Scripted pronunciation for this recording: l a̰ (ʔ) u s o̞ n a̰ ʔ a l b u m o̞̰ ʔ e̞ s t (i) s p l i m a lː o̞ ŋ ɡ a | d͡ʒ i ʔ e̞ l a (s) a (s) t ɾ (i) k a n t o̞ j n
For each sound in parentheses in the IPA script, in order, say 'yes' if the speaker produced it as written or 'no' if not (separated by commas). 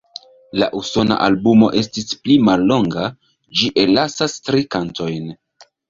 yes, yes, yes, yes, yes